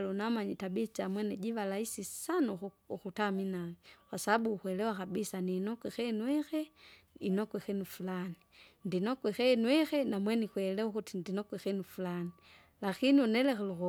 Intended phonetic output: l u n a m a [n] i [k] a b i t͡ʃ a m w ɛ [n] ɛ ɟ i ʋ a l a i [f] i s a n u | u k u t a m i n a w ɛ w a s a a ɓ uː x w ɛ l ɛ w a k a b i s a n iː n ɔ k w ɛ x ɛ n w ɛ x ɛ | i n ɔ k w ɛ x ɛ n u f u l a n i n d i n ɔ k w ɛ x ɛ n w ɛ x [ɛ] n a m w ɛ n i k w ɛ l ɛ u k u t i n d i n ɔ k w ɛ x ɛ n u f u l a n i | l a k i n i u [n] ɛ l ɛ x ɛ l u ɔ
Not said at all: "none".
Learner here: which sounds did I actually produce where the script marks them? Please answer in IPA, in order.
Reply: ɲ, t, n, s, ɛ, n

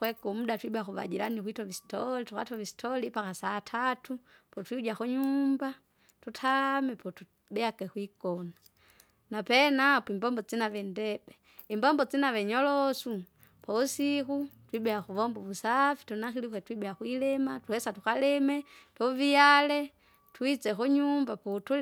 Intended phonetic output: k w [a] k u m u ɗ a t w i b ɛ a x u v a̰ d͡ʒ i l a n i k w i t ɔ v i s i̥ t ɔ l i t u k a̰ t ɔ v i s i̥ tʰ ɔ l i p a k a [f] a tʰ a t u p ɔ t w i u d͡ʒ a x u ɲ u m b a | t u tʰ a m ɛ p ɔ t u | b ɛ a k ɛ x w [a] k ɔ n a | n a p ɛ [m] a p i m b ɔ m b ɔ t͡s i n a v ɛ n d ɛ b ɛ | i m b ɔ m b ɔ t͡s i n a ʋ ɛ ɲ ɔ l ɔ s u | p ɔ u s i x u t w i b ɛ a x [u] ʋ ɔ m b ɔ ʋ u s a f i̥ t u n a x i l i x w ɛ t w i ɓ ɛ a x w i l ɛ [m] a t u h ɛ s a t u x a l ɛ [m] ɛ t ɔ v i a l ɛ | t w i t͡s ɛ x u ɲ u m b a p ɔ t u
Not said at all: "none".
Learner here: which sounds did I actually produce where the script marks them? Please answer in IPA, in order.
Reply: ɛ, s, i, n, u, m, m

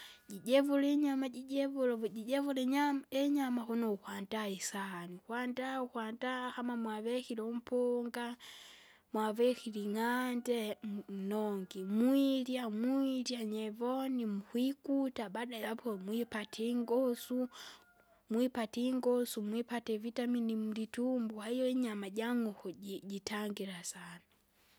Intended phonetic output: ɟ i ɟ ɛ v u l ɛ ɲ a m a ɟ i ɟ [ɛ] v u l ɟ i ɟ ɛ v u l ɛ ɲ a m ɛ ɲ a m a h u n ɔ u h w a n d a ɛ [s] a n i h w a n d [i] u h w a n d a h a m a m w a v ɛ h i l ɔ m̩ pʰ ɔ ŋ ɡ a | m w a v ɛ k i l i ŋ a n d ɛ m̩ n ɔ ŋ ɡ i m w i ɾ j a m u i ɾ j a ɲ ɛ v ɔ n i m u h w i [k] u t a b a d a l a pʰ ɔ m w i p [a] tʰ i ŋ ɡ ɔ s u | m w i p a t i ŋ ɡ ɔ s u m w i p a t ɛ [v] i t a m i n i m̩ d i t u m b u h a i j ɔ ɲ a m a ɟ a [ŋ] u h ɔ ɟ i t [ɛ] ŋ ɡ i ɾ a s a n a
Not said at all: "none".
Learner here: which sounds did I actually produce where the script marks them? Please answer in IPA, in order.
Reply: ɛ, s, a, k, a, v, ŋ, a

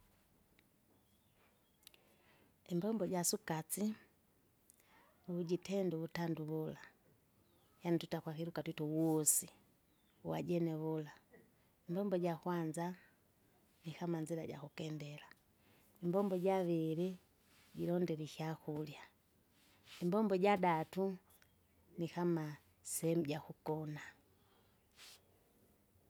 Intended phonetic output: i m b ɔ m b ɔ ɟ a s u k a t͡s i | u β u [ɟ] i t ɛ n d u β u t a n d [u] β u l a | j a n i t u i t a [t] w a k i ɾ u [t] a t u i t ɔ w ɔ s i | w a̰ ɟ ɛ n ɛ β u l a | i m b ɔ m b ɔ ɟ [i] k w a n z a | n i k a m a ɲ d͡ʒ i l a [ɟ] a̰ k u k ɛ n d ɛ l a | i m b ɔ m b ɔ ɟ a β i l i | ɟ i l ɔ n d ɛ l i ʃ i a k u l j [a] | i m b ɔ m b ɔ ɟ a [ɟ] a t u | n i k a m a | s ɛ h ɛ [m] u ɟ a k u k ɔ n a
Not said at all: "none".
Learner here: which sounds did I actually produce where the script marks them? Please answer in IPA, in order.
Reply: ɟ, u, k, k, a, ɟ, a, d, m

